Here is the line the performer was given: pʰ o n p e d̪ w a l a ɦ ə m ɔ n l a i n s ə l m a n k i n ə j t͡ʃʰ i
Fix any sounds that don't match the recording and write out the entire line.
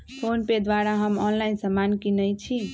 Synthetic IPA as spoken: pʰ o n p e d̪ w a ɾ a ɦ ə m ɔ n l a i n s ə m a n k i n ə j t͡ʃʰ i